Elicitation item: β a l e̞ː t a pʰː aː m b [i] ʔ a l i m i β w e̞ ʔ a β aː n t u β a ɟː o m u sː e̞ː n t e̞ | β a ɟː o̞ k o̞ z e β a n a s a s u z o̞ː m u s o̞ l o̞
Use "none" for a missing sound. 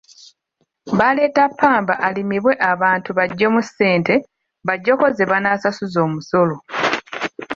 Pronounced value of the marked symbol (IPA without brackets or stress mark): a